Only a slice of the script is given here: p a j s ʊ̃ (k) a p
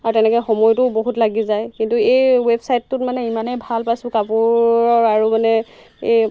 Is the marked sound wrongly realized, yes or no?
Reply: no